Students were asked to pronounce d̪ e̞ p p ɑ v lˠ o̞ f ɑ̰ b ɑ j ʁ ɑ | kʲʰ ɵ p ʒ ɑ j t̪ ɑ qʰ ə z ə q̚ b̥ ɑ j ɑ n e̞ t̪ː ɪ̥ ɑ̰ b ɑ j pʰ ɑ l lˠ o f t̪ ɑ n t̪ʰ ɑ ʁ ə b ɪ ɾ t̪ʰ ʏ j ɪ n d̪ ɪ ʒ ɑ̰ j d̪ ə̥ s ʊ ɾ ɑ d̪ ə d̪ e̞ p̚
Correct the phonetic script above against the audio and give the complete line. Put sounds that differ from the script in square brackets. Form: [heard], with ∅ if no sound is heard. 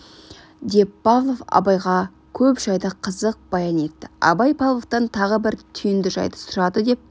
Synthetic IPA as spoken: d̪ e̞ p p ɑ v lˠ o̞ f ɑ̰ b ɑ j ʁ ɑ | kʲʰ ɵ p ʒ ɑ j [d̪] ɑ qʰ ə z ə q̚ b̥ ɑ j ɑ n e̞ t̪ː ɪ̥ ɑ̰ b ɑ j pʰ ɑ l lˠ o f t̪ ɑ n t̪ʰ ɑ ʁ ə b ɪ ɾ t̪ʰ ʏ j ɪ n d̪ ɪ ʒ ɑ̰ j d̪ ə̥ s ʊ ɾ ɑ d̪ ə d̪ e̞ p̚